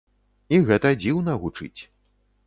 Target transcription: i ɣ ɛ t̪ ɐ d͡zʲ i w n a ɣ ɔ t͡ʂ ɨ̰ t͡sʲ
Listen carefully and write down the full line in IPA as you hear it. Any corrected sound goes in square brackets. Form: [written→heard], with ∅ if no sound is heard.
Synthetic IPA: i ɣ ɛ t̪ ɐ d͡zʲ i w n [a→ɐ] ɣ [ɔ→u] t͡ʂ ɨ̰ t͡sʲ